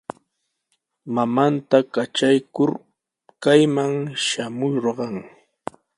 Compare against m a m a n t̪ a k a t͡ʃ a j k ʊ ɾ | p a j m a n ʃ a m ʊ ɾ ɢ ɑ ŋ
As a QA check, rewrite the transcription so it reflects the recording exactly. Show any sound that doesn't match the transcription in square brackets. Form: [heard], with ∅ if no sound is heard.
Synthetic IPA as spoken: m a m a n t̪ a k a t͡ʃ a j k ʊ ɾ | [k] a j m a [ŋ] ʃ a m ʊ ɾ ɢ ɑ ŋ